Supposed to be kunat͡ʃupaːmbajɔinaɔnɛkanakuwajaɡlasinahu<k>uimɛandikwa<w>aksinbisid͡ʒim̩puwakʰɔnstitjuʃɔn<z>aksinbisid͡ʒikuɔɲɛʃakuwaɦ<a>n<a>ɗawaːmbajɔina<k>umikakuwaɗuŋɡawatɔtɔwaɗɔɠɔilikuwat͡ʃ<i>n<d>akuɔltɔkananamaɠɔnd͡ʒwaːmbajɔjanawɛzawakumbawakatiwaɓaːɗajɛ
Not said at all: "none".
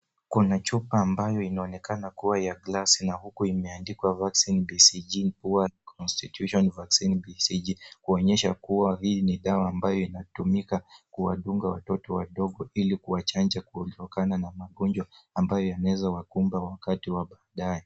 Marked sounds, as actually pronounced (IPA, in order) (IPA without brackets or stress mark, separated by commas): k, v, v, i, i, t, a, d͡ʒ